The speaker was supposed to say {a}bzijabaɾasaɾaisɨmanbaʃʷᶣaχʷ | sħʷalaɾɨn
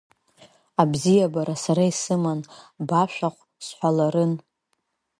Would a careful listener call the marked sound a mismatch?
no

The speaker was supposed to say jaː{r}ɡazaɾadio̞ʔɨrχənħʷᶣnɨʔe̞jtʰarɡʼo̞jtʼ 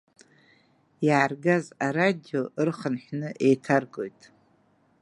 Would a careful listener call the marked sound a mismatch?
no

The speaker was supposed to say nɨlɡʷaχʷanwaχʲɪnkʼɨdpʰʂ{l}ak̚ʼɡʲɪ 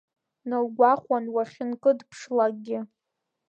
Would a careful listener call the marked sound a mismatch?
no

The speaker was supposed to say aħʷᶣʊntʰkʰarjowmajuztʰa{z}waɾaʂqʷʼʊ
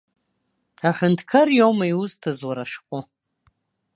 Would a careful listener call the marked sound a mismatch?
no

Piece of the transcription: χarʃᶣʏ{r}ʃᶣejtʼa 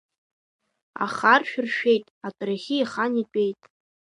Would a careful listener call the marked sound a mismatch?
no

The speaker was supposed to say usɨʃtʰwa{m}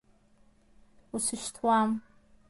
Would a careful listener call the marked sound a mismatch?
no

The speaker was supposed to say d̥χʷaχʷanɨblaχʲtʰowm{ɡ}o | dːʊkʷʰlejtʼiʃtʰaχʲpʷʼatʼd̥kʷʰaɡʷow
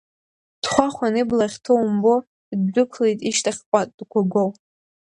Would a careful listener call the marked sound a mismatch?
yes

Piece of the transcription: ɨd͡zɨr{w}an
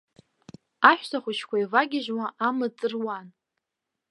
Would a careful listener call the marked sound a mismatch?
no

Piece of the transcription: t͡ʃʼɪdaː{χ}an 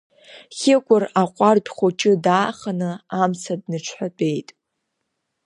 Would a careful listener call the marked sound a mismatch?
no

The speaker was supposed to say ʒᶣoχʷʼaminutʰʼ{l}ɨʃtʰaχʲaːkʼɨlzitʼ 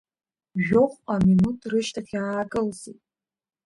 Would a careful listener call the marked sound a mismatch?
yes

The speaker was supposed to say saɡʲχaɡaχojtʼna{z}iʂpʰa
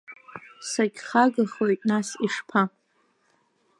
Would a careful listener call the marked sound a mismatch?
yes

